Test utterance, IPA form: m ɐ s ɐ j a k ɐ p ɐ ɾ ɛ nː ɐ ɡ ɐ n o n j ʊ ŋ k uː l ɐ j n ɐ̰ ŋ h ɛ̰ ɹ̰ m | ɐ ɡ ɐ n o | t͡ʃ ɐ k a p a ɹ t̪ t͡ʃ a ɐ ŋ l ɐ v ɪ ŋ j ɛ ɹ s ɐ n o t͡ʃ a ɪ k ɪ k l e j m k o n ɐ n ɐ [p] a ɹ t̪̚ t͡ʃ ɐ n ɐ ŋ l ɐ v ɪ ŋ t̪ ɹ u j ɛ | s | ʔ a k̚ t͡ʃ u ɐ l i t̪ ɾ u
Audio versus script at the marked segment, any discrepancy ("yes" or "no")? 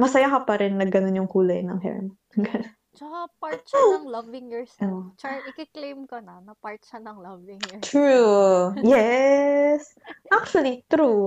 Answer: no